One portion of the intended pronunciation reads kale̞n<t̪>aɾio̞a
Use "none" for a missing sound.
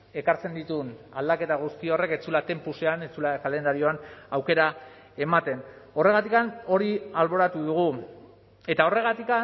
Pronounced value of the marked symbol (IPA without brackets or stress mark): d̪